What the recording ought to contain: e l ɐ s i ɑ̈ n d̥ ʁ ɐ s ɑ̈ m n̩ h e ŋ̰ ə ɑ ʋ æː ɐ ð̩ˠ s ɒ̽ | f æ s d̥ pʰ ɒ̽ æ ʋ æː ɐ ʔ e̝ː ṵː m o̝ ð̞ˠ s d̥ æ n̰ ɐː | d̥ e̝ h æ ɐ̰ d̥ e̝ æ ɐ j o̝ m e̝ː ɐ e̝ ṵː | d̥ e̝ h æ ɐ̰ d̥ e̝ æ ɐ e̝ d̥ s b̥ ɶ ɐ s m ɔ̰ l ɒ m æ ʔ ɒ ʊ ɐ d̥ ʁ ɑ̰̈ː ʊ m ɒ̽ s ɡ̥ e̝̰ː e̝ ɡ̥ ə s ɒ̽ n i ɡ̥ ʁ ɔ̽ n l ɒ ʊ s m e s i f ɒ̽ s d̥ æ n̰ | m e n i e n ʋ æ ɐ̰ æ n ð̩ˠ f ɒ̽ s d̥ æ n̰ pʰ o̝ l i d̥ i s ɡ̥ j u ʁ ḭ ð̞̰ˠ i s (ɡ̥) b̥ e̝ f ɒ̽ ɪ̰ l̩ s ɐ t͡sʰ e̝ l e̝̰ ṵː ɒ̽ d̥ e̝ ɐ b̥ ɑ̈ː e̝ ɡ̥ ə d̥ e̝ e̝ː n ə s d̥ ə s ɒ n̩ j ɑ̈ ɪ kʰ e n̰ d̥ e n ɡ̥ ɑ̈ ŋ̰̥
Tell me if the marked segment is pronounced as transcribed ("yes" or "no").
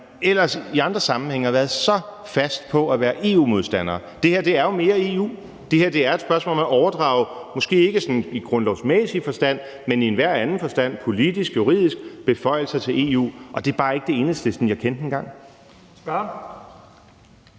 yes